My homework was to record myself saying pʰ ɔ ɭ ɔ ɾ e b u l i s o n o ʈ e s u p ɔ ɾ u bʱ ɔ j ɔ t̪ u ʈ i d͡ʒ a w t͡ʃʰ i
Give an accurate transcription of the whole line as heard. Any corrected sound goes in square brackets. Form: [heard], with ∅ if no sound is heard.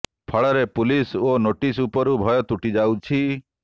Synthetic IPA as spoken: pʰ ɔ ɭ ɔ ɾ e [p] u l i s o n o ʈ [i] s u p ɔ ɾ u bʱ ɔ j ɔ t̪ u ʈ i d͡ʒ a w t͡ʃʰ i